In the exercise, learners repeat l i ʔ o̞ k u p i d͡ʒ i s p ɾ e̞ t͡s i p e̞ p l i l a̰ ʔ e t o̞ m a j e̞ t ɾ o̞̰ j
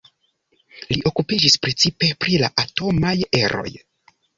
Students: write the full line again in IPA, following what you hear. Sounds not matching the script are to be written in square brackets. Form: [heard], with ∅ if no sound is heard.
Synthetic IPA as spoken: l i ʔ o̞ k u p i d͡ʒ i s p ɾ e̞ t͡s i p e̞ p [ɾ] i l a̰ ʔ [a] t o̞ m a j e̞ [∅] ɾ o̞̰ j